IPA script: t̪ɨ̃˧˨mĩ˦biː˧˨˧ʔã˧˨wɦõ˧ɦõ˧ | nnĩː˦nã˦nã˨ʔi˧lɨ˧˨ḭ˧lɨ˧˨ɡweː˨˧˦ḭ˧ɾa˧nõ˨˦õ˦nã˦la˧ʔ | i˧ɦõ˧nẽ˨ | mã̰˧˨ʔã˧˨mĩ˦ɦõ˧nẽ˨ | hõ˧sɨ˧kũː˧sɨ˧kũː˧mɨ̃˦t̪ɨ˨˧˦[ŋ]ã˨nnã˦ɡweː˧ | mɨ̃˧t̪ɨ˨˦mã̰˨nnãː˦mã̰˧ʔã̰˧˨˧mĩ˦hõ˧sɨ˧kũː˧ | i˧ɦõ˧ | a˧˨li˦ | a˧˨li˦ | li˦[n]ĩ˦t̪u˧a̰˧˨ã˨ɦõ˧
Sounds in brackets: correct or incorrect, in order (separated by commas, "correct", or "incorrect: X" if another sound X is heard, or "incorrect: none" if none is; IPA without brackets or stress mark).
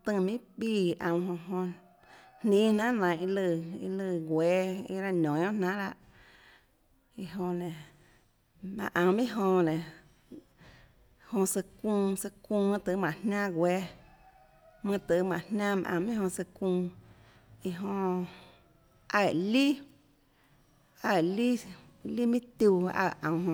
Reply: incorrect: m, incorrect: m